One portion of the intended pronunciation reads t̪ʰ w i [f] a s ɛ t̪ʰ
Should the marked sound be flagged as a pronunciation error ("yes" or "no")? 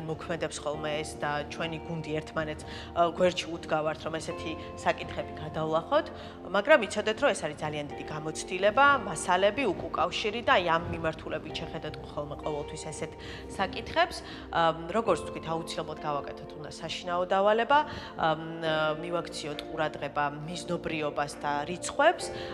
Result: yes